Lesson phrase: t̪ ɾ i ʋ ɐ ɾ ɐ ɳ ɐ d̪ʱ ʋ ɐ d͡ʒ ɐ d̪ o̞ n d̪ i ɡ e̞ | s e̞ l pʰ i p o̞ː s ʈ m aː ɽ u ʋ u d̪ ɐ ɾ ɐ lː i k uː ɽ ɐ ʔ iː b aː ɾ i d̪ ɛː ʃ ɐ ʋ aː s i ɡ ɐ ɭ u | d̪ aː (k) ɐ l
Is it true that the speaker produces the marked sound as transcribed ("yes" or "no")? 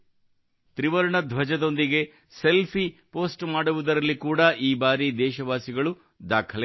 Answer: no